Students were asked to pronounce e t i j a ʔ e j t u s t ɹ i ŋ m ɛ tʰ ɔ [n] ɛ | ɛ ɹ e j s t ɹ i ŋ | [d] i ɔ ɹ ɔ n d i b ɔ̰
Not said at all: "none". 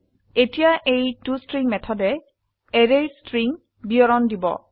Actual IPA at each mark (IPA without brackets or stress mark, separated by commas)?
d, b